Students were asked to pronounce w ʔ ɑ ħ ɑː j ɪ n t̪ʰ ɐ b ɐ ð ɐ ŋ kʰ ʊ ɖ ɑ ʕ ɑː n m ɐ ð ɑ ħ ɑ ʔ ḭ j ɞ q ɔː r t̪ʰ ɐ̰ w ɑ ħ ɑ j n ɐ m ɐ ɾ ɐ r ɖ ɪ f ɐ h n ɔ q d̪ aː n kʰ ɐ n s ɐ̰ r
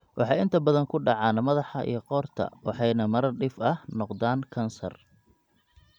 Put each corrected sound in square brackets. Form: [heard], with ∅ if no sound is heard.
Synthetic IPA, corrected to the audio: w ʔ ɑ ħ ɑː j ɪ n t̪ʰ ɐ b ɐ ð ɐ ŋ kʰ ʊ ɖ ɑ ʕ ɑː n m ɐ ð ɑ ħ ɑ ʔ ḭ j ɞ q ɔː r t̪ʰ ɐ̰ w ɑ ħ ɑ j n ɐ m ɐ ɾ ɐ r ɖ ɪ f ɐ h n ɔ q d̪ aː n kʰ ɐ n s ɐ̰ r